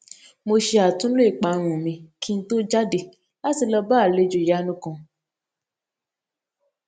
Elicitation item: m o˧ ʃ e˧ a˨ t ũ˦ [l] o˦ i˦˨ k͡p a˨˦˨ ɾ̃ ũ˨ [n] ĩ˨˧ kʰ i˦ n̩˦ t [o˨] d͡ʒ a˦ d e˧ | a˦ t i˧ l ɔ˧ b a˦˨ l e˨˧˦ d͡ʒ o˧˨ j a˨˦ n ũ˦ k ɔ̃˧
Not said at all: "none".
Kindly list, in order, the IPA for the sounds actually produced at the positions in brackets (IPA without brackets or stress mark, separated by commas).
l, m, o˦